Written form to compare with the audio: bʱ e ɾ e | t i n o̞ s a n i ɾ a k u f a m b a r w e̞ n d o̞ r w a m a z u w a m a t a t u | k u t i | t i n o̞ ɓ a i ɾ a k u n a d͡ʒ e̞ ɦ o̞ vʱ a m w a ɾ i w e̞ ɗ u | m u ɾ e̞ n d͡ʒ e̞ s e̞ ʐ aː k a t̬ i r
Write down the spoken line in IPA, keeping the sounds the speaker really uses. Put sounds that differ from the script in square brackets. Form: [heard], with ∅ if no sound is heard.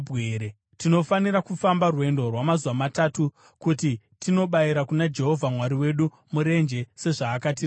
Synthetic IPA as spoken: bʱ e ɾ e | t i n o̞ [f] a n i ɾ a k u f a m b a r w e̞ n d o̞ r w a m a z u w a m a t a t u | k u t i | t i n o̞ ɓ a i ɾ a k u n a d͡ʒ e̞ ɦ o̞ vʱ a m w a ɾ i w e̞ ɗ u | m u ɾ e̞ n d͡ʒ e̞ s e̞ ʐ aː k a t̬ i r